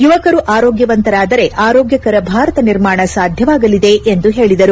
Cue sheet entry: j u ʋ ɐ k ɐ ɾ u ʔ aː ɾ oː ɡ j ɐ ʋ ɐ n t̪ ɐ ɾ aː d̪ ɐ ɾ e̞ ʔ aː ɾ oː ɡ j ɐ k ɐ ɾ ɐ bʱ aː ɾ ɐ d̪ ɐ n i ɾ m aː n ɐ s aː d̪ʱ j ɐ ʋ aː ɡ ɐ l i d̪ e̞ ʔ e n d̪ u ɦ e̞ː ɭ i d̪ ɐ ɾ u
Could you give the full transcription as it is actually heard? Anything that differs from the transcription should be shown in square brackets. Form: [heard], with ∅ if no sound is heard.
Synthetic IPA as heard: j u ʋ ɐ k ɐ ɾ u ʔ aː ɾ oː ɡ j ɐ ʋ ɐ n t̪ ɐ ɾ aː d̪ ɐ ɾ e̞ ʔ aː ɾ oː ɡ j ɐ k ɐ ɾ ɐ bʱ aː ɾ ɐ [t̪] ɐ n i ɾ m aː [ɳ] ɐ s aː d̪ʱ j ɐ ʋ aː ɡ ɐ l i d̪ e̞ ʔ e n d̪ u ɦ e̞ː ɭ i d̪ ɐ ɾ u